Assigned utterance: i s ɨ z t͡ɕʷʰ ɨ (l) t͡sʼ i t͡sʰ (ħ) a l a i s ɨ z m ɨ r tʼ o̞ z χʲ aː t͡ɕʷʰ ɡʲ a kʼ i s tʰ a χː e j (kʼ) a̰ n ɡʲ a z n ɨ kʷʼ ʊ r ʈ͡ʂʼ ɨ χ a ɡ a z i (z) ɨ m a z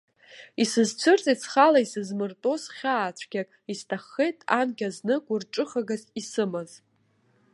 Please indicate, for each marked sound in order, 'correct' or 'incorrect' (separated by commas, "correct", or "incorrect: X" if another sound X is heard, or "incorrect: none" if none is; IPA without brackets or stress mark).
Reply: incorrect: r, incorrect: χ, incorrect: tʼ, incorrect: s